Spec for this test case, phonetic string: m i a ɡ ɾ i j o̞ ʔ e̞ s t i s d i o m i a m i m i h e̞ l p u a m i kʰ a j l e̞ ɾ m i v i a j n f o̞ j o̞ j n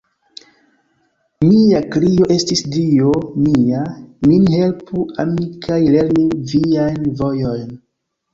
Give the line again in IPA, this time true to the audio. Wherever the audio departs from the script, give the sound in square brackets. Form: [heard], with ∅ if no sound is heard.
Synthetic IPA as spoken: m i a [k] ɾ i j o̞ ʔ e̞ s t i s d i o m i a m i [n] i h e̞ l p u a m i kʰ a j l e̞ ɾ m i v i a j n [v] o̞ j o̞ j n